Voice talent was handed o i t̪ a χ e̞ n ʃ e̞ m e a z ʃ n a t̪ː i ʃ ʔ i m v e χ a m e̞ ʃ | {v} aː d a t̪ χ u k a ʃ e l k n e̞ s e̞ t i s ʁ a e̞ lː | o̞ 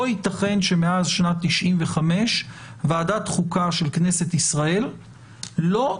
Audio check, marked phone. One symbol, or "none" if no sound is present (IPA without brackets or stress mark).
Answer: v